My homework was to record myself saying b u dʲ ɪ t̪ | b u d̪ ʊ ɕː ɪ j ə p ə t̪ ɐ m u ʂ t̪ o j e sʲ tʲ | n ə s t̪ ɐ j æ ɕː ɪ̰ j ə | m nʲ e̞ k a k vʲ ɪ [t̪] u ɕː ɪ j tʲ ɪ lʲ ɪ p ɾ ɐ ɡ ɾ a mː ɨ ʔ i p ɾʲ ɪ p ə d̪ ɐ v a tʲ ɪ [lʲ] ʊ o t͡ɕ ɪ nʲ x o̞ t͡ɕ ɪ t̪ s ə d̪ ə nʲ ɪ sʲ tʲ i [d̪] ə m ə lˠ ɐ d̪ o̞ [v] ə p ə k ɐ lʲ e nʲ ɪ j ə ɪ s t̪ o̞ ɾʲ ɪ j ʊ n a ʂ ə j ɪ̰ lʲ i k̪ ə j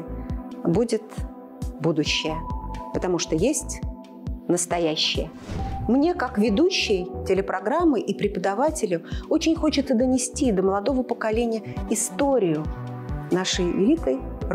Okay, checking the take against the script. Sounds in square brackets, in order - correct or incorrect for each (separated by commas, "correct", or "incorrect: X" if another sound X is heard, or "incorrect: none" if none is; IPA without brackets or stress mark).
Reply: incorrect: d̪, correct, correct, correct